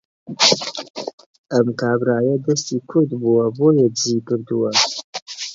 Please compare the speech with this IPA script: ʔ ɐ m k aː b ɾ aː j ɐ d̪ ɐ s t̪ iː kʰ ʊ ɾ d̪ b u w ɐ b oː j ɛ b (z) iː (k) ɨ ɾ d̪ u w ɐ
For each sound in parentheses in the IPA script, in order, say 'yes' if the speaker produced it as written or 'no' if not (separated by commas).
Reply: yes, yes